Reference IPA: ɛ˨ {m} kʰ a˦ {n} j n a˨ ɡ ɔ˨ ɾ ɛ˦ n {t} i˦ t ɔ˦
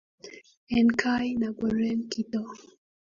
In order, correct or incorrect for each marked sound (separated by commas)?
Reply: incorrect, incorrect, incorrect